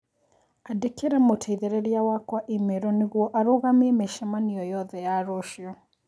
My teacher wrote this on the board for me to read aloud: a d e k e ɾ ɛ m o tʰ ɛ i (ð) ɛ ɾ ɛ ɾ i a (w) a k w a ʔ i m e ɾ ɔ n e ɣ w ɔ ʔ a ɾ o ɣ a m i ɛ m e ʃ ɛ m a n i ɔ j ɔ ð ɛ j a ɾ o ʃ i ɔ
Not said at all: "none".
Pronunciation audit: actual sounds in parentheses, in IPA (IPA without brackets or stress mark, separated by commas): ð, w